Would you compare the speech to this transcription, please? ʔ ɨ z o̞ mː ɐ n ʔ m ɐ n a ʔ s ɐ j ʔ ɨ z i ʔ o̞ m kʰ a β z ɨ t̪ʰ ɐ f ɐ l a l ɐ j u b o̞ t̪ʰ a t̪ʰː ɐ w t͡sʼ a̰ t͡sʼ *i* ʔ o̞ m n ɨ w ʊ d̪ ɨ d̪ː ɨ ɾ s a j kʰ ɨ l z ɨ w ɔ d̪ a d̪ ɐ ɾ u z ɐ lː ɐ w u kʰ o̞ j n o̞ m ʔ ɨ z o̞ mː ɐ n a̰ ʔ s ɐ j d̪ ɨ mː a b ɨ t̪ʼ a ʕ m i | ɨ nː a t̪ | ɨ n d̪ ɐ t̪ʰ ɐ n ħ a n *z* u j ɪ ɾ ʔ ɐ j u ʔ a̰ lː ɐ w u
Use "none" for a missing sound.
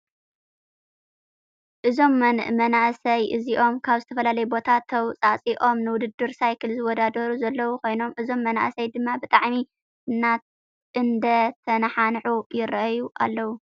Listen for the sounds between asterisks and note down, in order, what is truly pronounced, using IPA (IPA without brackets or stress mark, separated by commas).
i, ʕ